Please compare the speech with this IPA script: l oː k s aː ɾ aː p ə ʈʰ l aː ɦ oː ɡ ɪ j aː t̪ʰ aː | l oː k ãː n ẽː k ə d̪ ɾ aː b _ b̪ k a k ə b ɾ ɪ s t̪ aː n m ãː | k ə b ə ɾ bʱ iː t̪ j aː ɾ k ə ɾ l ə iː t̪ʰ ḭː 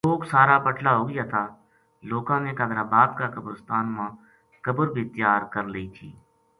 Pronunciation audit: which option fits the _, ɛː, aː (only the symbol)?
aː